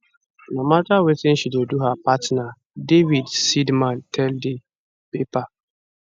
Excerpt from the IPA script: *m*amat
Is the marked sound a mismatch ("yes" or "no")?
yes